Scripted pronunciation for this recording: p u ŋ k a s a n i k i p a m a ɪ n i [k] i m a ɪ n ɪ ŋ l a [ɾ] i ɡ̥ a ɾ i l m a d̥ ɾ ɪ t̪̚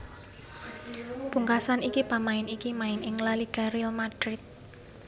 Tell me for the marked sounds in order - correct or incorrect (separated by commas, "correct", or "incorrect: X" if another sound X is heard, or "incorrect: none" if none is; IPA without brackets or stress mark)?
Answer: correct, incorrect: l